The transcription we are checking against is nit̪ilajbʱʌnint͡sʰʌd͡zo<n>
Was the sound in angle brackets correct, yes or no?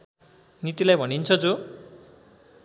no